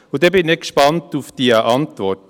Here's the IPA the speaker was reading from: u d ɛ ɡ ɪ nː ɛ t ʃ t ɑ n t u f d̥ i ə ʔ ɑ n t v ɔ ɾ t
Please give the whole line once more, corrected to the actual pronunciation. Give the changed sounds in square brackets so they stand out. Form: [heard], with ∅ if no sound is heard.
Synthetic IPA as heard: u d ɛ [b] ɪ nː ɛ [k] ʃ [p] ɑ n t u f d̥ i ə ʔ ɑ n t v ɔ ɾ t